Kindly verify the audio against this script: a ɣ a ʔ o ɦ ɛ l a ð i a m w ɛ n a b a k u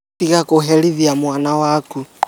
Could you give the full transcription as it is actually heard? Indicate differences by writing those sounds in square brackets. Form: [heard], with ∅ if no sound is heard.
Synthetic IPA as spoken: [i] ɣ a [k] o ɦ ɛ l [i] ð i a m w [a] n a [w] a k u